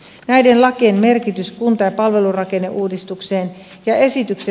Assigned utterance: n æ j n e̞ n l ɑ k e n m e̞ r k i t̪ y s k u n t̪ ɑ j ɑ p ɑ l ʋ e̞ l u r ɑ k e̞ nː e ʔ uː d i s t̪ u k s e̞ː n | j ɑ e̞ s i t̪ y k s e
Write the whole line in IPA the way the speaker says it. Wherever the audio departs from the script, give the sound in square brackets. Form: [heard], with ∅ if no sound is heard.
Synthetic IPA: n æ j [d] e̞ n l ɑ k e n m e̞ r k i t̪ y s k u n t̪ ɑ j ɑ p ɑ l ʋ e̞ l u r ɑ k e̞ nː e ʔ uː d i s t̪ u k s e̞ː n | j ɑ e̞ s i t̪ y k s e